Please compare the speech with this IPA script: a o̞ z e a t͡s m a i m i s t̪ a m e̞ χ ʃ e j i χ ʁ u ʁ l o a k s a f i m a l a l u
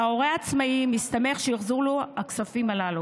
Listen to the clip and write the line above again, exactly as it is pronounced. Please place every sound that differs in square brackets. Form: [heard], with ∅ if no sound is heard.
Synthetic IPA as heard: a o̞ [ʁ] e a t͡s m a i m i s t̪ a m e̞ χ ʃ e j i χ [z] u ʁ l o a k s a f i m a l a l u